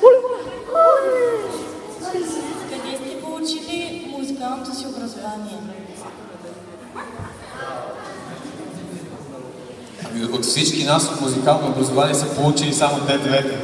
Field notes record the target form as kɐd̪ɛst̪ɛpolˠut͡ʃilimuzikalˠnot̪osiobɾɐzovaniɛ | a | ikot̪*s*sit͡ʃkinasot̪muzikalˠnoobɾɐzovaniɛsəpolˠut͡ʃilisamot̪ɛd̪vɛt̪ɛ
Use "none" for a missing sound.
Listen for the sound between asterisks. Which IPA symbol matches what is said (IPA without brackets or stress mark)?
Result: f